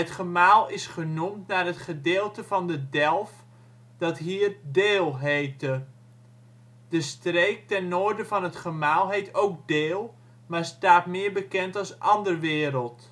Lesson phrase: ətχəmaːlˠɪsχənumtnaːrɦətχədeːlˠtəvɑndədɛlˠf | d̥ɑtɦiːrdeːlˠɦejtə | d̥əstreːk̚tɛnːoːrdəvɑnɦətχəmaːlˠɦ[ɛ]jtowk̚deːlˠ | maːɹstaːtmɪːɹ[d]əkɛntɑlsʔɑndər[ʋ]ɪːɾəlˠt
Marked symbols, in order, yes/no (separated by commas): no, no, yes